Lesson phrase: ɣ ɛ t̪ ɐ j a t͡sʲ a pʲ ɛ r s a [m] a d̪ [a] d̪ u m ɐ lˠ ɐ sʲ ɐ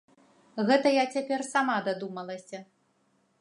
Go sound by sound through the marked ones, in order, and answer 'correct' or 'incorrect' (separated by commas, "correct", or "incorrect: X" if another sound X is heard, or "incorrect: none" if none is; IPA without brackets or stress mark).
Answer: correct, correct